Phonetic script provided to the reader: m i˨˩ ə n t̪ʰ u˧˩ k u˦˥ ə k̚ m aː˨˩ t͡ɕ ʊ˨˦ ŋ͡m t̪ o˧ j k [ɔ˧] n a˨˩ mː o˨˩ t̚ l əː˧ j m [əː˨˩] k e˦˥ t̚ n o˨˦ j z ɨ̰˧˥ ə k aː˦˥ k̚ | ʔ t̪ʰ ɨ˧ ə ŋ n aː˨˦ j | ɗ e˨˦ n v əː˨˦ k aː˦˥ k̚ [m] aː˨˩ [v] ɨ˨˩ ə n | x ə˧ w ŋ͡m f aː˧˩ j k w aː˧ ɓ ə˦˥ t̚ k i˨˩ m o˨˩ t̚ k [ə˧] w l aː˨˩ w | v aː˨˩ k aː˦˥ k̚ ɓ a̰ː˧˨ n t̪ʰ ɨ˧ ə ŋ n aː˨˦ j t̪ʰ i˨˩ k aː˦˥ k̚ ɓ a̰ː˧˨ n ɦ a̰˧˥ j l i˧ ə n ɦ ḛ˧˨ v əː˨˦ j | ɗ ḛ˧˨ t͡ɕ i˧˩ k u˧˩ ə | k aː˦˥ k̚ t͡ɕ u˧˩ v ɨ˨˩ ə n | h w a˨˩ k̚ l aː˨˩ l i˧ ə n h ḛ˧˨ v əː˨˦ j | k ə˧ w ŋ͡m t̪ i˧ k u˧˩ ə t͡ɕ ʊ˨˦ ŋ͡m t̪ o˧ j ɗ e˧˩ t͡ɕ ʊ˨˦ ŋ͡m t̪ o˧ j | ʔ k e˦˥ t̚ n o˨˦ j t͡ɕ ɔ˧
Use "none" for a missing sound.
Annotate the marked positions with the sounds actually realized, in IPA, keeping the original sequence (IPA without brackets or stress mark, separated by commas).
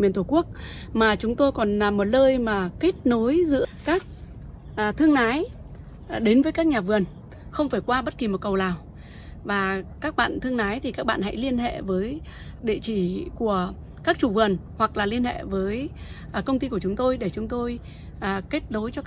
ɔ˨˩, aː˨˩, ɲ, v, ə˨˩